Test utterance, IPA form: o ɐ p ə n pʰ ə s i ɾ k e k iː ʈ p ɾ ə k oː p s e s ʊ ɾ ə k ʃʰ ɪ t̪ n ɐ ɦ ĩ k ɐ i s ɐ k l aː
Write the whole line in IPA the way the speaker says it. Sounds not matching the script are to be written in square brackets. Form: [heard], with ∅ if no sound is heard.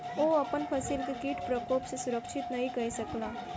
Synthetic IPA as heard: o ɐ p ə n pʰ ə s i [l] k e k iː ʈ p ɾ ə k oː p s e s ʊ ɾ ə k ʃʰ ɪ t̪ n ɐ ɦ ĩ k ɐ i s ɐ k l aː

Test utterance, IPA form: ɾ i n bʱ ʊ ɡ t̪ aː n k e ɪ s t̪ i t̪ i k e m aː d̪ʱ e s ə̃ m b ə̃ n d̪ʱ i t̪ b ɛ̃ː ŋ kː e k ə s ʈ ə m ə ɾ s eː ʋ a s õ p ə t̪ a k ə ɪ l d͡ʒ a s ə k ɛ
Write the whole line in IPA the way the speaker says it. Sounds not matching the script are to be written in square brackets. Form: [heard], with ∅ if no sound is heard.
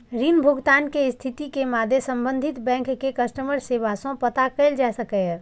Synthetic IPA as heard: ɾ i n bʱ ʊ ɡ t̪ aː n k e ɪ s [t̪ʰ] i t̪ i k e m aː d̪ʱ e s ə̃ m b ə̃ n d̪ʱ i t̪ b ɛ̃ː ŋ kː e k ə s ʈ ə m ə ɾ s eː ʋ a s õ p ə t̪ a k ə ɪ l d͡ʒ a s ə k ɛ

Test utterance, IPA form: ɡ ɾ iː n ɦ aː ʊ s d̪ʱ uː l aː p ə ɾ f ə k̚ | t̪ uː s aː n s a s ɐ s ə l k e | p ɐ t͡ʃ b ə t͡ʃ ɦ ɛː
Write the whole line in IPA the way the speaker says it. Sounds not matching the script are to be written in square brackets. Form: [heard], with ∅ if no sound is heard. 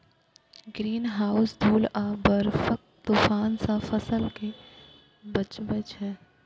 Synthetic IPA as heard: ɡ ɾ iː n ɦ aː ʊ s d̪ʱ uː l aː [b] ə ɾ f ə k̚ | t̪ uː [f] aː n s a [f] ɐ s ə l k e | [b] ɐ t͡ʃ b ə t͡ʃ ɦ ɛː

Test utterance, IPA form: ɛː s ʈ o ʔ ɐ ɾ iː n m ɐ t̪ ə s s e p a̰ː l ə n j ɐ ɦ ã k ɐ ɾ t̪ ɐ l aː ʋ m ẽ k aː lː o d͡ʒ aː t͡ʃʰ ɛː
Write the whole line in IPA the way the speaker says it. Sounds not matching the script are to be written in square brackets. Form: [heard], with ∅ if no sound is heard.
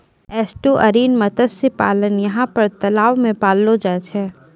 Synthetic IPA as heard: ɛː s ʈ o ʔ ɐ ɾ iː n m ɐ t̪ ə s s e p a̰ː l ə n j ɐ ɦ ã [p] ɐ ɾ t̪ ɐ l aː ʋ m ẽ [p] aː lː o d͡ʒ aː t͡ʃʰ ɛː

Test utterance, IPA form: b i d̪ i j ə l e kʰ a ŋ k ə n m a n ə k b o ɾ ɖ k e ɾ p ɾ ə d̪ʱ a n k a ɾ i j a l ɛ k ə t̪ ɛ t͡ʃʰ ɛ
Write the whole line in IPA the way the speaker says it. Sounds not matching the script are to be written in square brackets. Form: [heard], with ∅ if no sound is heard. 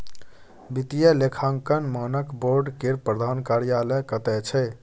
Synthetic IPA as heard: b i [t̪] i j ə l e kʰ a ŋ k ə n m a n ə k b o ɾ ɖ k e ɾ p ɾ ə d̪ʱ a n k a ɾ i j a l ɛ k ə t̪ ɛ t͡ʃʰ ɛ

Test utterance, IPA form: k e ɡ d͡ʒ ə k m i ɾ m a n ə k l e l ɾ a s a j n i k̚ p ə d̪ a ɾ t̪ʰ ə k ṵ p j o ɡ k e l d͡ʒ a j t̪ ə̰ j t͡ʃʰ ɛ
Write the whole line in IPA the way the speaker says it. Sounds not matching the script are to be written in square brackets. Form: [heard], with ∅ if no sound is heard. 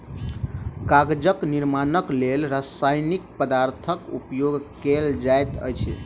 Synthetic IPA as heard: k [a] ɡ d͡ʒ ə k [n] i ɾ m a n ə k l e l ɾ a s a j n i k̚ p ə d̪ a ɾ t̪ʰ ə k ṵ p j o ɡ k e l d͡ʒ a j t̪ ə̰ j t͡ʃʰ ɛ

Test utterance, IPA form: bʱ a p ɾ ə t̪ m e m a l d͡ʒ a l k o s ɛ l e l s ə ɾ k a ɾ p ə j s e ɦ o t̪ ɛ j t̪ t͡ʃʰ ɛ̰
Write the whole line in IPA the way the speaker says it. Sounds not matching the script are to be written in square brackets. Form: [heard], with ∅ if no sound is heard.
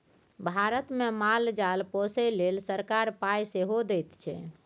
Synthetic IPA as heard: bʱ a [∅] ɾ ə t̪ m e m a l d͡ʒ a l [p] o s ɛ l e l s ə ɾ k a ɾ p [a] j s e ɦ o [d̪] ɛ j t̪ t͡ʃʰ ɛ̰

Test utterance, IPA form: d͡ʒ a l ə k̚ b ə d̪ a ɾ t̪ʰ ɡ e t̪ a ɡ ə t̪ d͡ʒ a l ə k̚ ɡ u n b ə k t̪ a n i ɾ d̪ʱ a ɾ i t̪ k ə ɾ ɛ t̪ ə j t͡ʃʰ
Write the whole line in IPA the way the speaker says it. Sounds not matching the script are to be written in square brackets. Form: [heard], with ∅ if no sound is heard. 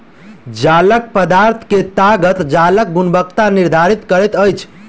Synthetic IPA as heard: d͡ʒ a l ə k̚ [p] ə d̪ a ɾ t̪ʰ [k] e t̪ a ɡ ə t̪ d͡ʒ a l ə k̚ ɡ u n b ə k t̪ a n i ɾ d̪ʱ a ɾ i t̪ k ə ɾ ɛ t̪ ə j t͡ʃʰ

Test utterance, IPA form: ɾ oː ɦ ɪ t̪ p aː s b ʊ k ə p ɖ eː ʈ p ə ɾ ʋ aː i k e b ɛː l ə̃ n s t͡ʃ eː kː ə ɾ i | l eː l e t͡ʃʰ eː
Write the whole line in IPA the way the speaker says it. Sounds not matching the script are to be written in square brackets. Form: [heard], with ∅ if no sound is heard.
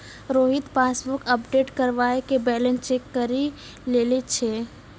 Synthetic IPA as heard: ɾ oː ɦ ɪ t̪ p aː s b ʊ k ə p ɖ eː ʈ [k] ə ɾ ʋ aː [e] k e b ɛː l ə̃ n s t͡ʃ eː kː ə ɾ i | l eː l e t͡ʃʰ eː

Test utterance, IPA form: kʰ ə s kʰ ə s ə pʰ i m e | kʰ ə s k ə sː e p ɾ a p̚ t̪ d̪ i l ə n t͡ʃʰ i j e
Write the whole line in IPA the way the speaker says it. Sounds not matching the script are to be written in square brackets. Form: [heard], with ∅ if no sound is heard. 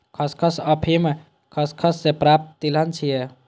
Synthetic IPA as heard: kʰ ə s kʰ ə s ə pʰ i m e | kʰ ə s [kʰ] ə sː e p ɾ a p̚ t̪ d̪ i l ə n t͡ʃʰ i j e

